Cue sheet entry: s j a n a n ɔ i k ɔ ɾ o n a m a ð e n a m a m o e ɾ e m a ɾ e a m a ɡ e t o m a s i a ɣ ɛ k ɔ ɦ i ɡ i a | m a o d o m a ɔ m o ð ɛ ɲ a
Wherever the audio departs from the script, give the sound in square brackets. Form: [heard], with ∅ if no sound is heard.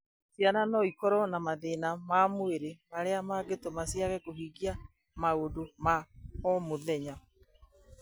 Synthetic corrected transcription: s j a n a n ɔ i k ɔ ɾ [ɔ] n a m a ð e n a m a m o e ɾ e m a ɾ e a m a ɡ e t o m a s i a ɣ ɛ k [o] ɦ i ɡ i a | m a o d o m a ɔ m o ð ɛ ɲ a